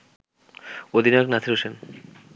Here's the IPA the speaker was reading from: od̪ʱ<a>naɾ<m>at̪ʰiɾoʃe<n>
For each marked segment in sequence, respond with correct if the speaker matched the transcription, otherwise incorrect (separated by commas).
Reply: incorrect, incorrect, correct